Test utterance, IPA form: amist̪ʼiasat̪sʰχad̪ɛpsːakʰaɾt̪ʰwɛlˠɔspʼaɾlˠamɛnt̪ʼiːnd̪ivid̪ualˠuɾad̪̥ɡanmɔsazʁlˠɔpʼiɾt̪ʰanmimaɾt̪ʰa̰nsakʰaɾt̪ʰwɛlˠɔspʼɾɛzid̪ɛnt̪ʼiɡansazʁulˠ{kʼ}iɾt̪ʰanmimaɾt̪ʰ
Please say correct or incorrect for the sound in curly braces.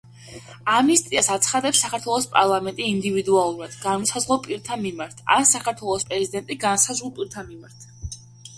incorrect